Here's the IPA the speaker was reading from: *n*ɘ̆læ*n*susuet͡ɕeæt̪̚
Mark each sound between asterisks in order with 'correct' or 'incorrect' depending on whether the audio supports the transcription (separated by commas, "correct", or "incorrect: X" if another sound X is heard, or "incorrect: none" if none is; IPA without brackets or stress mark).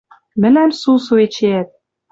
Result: incorrect: m, incorrect: m